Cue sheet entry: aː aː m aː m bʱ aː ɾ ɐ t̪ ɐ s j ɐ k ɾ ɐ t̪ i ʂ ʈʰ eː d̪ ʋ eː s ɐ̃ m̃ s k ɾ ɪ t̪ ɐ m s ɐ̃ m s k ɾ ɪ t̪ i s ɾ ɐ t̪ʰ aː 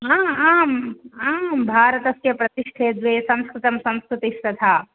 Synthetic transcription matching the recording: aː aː m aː m bʱ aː ɾ ɐ t̪ ɐ s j ɐ p ɾ ɐ t̪ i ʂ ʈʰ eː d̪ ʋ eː s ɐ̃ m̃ s k ɾ ɪ t̪ ɐ m s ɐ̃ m s k ɾ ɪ t̪ i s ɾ ɐ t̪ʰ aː